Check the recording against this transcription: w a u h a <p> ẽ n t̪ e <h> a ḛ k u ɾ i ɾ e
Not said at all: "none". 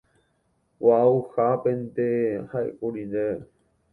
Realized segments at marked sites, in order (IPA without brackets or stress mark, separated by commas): p, h